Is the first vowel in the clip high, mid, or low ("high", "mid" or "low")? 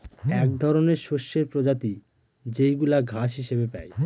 mid